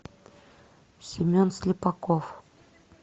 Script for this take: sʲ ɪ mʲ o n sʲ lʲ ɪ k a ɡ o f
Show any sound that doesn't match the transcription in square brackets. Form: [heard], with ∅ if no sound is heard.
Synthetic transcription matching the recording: sʲ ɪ mʲ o n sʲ lʲ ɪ [p] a [k] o f